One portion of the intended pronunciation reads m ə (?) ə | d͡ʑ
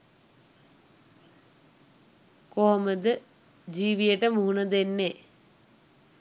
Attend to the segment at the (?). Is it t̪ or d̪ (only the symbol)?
d̪